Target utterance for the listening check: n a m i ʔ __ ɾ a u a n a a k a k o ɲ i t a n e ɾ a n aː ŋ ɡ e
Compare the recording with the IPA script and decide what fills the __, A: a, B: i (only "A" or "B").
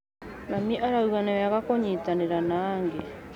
A